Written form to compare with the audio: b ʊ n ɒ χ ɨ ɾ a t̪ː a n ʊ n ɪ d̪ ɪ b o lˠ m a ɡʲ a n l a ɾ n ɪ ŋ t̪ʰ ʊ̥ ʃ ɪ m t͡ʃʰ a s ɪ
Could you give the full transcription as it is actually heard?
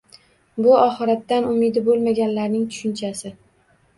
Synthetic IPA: b ʊ ɒ χ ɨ ɾ a t̪ː a n ʊ m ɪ d̪ ɪ b o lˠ m a ɡʲ a n l a ɾ n ɪ ŋ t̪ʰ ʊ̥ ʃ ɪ n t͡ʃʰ a s ɪ